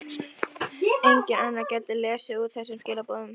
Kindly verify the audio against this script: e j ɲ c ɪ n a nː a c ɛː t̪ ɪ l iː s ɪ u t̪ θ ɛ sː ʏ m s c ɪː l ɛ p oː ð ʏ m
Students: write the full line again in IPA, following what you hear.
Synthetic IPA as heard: e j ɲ c ɪ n a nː a c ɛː t̪ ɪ l ɛː s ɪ u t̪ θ ɛ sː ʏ m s c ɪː l a p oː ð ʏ m

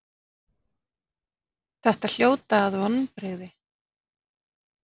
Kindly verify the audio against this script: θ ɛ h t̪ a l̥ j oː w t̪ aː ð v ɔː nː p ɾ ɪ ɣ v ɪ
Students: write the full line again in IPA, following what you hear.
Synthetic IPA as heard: θ ɛ h t̪ a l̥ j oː w t̪ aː ð v ɔ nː p ɾ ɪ ɣ ð ɪ

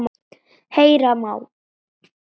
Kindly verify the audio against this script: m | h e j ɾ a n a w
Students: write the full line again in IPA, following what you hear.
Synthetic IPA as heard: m | h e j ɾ a m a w

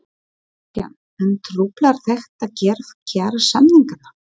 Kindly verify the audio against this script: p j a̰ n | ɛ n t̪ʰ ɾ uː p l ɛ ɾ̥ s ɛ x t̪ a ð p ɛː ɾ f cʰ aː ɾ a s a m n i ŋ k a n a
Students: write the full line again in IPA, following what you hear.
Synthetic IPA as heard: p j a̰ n | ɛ n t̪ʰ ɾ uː p l a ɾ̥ θ ɛ x t̪ a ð c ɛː ɾ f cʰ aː ɾ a s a m n i ŋ k a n a

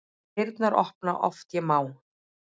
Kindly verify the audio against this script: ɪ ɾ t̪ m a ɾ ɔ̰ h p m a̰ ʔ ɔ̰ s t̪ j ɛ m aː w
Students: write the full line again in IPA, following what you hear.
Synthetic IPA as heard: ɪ ɾ t̪ n a ɾ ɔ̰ h p n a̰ ʔ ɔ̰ f t̪ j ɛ m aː w

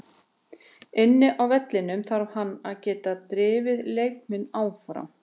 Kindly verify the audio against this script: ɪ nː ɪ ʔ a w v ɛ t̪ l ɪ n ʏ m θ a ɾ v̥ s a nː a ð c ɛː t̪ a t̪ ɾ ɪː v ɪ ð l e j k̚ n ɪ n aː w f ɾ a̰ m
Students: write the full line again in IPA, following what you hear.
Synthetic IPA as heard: ɪ nː ɪ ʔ a w v ɛ t̪ l ɪ n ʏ m θ a ɾ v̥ h a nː a ð c ɛː t̪ a t̪ ɾ ɪː v ɪ ð l e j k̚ m ɪ n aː w f ɾ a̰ m

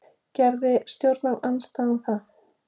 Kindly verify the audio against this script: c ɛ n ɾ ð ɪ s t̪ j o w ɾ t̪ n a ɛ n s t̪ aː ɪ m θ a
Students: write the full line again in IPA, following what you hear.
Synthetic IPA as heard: c ɛ ɾ ð ɪ s t̪ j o w ɾ t̪ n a a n s t̪ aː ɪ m θ a

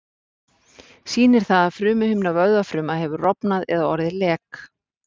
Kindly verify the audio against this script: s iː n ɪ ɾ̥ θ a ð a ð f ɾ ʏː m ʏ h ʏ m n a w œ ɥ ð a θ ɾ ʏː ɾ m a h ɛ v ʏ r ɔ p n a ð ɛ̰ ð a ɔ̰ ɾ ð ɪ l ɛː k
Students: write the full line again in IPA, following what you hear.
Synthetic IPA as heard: s iː n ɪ ɾ̥ θ a ð a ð f ɾ ʏː m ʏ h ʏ m n a v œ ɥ ð a f ɾ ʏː m a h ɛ v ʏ r ɔ p n a ð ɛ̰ ð a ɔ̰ ɾ ð ɪ l ɛː k

